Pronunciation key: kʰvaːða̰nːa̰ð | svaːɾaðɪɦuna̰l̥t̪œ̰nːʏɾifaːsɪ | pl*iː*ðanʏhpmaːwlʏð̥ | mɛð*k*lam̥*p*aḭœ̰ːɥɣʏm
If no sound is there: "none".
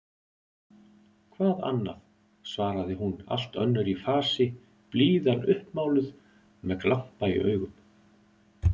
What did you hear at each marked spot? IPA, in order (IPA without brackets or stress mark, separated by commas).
iː, k, p